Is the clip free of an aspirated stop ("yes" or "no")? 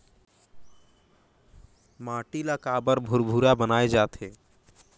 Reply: yes